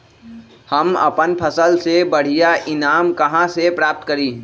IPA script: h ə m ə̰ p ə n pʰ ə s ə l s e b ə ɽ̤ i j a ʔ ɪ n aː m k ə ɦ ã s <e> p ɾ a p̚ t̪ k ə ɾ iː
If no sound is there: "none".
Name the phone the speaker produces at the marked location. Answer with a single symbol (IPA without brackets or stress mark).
e